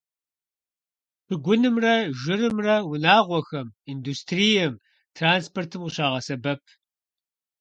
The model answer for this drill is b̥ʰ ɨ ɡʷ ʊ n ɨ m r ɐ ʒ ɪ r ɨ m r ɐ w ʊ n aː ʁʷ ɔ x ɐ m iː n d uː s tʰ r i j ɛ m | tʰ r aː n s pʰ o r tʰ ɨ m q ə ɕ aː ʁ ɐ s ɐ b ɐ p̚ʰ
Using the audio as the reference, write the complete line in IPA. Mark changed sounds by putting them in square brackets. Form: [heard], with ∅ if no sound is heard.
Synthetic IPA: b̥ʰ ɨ ɡʷ ʊ n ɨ m r ɐ ʒ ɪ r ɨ m r ɐ w ʊ n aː ʁʷ ɔ x ɐ m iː n d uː s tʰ r i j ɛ m | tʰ r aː n s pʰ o r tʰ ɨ m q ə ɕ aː ʁ ɐ s ɐ b ɐ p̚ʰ